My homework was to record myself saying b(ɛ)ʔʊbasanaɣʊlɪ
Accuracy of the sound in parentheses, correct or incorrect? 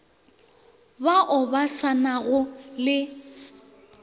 incorrect